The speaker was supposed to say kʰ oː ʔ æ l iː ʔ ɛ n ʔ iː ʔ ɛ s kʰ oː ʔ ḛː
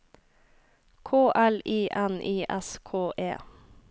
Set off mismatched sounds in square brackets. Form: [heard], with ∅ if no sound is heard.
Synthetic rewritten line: kʰ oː ʔ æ l iː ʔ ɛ n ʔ iː ʔ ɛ s kʰ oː ʔ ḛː